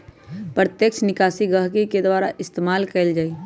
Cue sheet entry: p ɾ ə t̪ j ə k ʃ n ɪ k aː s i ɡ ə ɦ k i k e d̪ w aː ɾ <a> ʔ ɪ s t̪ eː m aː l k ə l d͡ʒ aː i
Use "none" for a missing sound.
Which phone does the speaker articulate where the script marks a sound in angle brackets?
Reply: a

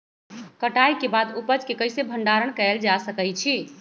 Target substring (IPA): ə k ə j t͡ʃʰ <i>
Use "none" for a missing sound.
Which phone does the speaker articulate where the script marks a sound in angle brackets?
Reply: i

